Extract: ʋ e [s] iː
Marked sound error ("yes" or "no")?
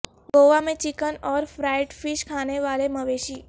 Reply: yes